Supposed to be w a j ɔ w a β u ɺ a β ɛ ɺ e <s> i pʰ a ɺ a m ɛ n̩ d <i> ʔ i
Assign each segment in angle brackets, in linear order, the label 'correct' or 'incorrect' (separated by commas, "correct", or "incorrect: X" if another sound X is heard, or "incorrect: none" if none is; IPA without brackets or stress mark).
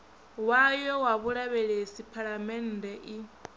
correct, incorrect: ɛ